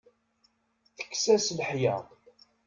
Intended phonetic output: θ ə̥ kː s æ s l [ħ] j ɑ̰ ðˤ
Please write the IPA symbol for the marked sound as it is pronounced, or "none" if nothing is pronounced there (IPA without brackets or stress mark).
ħ